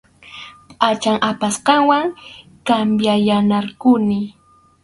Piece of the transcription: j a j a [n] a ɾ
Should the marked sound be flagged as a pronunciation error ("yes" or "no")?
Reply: no